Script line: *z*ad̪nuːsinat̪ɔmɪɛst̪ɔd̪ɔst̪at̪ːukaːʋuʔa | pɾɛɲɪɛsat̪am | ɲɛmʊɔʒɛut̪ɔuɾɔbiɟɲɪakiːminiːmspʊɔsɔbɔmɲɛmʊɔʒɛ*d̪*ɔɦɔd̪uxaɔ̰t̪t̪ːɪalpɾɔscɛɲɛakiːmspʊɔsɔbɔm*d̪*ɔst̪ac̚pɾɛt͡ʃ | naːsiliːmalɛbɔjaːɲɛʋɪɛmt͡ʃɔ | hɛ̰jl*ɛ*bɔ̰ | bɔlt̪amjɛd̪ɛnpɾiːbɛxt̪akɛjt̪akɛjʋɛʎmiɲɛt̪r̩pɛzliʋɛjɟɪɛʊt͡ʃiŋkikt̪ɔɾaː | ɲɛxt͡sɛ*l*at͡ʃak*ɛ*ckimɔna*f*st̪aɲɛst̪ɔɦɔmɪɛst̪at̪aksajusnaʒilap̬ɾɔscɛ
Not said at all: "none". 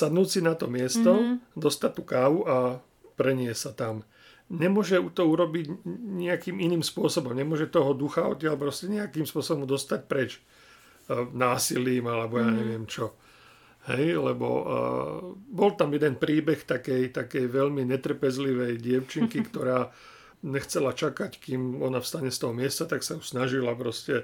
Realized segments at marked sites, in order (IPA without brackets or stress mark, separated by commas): s, t̪, d̪, ɛ, l, a, f